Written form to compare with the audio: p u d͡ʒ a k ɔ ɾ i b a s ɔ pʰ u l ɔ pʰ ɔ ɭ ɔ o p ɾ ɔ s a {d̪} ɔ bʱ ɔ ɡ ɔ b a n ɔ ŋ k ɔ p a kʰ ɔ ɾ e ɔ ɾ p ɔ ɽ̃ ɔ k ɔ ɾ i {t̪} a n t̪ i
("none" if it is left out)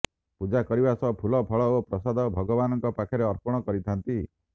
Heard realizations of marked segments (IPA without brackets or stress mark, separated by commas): d̪, t̪ʰ